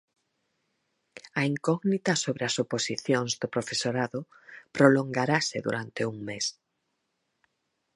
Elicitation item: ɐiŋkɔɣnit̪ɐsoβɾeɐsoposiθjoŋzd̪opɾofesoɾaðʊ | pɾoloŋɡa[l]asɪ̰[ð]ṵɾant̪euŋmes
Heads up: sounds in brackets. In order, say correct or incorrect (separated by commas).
incorrect, correct